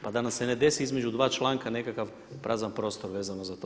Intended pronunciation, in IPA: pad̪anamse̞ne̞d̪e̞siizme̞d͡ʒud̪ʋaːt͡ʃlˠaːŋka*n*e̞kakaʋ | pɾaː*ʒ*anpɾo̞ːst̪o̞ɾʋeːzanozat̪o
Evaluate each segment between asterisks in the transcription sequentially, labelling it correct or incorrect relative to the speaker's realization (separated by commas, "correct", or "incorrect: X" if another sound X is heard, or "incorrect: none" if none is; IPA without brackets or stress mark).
correct, incorrect: z